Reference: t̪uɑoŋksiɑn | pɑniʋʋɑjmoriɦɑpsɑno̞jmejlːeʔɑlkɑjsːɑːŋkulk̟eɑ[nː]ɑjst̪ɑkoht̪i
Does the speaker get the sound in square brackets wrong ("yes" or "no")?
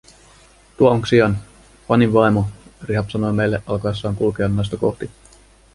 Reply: no